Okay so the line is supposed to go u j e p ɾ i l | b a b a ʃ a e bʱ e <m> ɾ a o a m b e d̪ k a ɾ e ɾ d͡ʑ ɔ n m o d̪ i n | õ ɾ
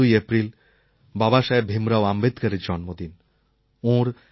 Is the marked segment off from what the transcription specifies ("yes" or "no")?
no